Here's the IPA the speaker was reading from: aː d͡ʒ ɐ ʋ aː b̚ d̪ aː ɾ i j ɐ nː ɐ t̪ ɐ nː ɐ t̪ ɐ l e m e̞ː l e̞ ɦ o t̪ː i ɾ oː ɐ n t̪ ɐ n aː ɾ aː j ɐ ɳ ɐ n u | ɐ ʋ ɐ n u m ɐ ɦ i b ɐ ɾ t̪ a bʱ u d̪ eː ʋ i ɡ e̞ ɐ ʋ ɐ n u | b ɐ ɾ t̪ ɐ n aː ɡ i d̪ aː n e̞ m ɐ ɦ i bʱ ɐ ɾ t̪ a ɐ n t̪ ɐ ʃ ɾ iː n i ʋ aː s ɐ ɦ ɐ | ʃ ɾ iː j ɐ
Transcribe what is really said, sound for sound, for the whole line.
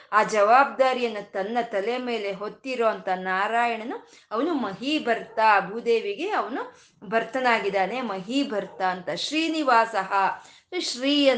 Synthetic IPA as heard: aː d͡ʒ ɐ ʋ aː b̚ d̪ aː ɾ i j ɐ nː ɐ t̪ ɐ nː ɐ t̪ ɐ l e m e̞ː l e̞ ɦ o t̪ː i ɾ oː ɐ n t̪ ɐ n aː ɾ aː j ɐ ɳ ɐ n u | ɐ ʋ ɐ n u m ɐ ɦ i b ɐ ɾ t̪ a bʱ u d̪ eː ʋ i ɡ e̞ ɐ ʋ ɐ n u | b ɐ ɾ t̪ ɐ n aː ɡ i d̪ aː n e̞ m ɐ ɦ i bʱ ɐ ɾ t̪ a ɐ n t̪ ɐ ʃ ɾ iː n i ʋ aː s ɐ ɦ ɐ | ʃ ɾ iː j ɐ